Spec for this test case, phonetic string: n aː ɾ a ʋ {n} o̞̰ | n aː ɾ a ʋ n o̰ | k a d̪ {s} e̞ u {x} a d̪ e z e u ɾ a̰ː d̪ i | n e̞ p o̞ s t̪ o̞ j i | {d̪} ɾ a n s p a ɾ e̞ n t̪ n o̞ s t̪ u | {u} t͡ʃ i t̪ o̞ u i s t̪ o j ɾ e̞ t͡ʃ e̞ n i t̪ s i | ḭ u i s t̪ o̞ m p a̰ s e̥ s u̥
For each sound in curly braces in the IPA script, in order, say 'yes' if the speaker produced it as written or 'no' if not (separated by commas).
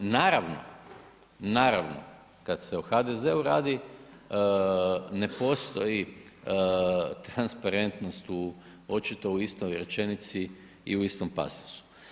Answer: yes, yes, yes, no, no